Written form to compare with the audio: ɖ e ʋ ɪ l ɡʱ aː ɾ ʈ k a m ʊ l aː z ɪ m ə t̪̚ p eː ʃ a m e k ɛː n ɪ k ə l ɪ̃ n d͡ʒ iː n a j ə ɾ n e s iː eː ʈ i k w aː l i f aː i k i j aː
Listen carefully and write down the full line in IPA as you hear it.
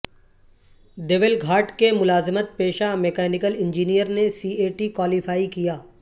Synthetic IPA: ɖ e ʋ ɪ l ɡʱ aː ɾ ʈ k e m ʊ l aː z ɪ m ə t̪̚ p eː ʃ a m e k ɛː n ɪ k ə l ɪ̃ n d͡ʒ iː n i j ə ɾ n e s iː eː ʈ i k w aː l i f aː i k i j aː

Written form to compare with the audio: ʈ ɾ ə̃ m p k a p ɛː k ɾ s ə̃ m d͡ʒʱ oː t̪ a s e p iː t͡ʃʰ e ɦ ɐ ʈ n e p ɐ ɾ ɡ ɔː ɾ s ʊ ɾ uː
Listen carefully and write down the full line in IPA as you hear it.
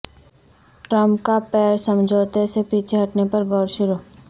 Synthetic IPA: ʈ ɾ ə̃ m p k a p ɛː ɾ s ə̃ m d͡ʒʱ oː t̪ e s e p iː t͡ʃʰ e ɦ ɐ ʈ n e p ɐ ɾ ɡ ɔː ɾ ʃ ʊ ɾ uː

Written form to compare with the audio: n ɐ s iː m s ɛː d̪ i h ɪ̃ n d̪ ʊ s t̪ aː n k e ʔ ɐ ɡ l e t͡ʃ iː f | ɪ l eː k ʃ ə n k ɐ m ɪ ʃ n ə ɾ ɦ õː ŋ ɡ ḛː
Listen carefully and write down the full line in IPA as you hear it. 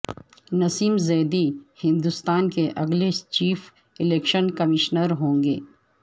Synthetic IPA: n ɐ s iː m z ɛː d̪ i h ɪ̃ n d̪ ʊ s t̪ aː n k e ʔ ɐ ɡ l e t͡ʃ iː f | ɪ l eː k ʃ ə n k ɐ m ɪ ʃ n ə ɾ ɦ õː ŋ ɡ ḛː

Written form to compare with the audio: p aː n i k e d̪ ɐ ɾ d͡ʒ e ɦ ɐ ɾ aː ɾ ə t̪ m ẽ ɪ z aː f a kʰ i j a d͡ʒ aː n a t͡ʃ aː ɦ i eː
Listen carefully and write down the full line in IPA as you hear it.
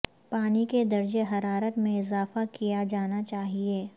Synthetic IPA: p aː n i k e d̪ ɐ ɾ d͡ʒ e ɦ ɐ ɾ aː ɾ ə t̪ m ẽ ɪ z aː f a k i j a d͡ʒ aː n a t͡ʃ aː ɦ i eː

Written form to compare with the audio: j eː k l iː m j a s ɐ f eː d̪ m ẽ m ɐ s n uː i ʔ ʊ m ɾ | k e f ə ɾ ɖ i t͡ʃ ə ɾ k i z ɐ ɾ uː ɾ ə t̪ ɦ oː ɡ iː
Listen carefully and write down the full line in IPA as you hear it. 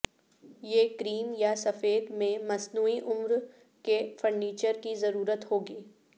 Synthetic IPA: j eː k ɾ iː m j a s ɐ f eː d̪ m ẽ m ɐ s n uː i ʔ ʊ m ɾ | k e f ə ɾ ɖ iː t͡ʃ ə ɾ k i z ɐ ɾ uː ɾ ə t̪ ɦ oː ɡ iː

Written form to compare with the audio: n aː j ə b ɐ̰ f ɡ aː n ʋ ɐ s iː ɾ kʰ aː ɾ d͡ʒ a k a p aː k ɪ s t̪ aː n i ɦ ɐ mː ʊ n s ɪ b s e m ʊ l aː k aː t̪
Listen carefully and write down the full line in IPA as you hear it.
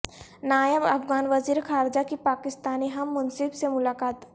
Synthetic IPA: n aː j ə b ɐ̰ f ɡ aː n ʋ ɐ z iː ɾ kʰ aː ɾ d͡ʒ a k i p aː k ɪ s t̪ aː n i ɦ ɐ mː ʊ n s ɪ b s e m ʊ l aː k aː t̪

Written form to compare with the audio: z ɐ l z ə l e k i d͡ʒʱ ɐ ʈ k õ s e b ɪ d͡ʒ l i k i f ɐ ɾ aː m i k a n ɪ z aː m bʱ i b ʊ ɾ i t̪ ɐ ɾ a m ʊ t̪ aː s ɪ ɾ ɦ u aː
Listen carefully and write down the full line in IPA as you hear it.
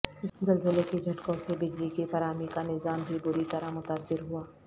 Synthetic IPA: z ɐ l z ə l e k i d͡ʒʱ ɐ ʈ k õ s e b ɪ d͡ʒ l i k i f ɐ ɾ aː m i k a n ɪ z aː m bʱ i b ʊ ɾ i t̪ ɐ ɾ a m ʊ t̪ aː s ɪ ɾ ɦ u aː

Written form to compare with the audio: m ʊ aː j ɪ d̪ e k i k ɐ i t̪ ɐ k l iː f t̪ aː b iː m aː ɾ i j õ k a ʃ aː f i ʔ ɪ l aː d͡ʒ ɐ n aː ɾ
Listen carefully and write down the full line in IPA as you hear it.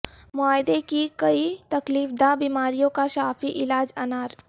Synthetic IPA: m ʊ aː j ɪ d̪ e k i k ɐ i t̪ ɐ k l iː f d̪ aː b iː m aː ɾ i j õ k a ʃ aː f i ʔ ɪ l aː d͡ʒ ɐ n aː ɾ

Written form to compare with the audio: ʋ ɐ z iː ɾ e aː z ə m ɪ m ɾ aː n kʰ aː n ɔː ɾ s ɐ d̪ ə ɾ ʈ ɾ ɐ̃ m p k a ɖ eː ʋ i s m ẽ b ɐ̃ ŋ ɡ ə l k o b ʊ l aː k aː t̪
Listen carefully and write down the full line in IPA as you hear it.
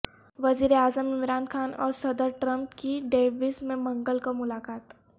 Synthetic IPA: ʋ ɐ z iː ɾ e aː z ə m ɪ m ɾ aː n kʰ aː n ɔː ɾ s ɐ d̪ ə ɾ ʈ ɾ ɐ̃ m p k i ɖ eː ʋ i s m ẽ m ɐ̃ ŋ ɡ ə l k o m ʊ l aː k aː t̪

